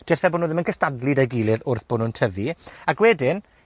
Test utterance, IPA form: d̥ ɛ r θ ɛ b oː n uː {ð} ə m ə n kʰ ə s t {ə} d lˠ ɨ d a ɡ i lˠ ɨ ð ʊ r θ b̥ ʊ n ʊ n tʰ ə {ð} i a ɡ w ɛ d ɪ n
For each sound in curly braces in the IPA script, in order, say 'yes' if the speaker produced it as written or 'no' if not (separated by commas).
yes, no, no